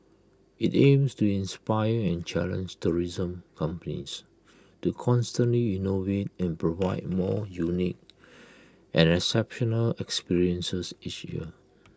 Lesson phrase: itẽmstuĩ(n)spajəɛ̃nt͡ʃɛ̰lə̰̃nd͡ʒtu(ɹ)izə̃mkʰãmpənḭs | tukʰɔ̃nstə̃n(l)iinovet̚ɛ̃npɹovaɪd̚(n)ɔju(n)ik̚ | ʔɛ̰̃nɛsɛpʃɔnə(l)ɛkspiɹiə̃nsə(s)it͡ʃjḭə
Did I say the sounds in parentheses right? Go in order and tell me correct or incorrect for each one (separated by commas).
correct, correct, correct, incorrect, correct, correct, correct